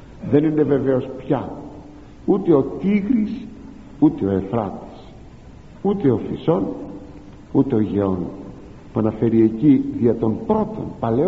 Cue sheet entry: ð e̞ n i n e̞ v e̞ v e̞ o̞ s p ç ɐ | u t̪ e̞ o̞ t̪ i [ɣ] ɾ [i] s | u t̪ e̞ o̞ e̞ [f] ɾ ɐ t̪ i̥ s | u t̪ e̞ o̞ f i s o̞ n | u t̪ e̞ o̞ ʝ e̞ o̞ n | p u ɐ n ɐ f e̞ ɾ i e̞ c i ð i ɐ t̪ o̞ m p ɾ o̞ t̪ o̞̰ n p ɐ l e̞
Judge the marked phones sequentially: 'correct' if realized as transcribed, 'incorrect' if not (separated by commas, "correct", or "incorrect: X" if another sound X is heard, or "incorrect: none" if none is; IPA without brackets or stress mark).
correct, correct, correct